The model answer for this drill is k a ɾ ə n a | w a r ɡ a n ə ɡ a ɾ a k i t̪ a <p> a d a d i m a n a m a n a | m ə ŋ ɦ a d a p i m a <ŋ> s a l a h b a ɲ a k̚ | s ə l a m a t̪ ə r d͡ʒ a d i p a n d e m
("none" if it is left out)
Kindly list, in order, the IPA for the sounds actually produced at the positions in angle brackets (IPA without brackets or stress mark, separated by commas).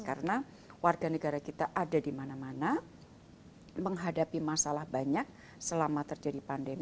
ʔ, none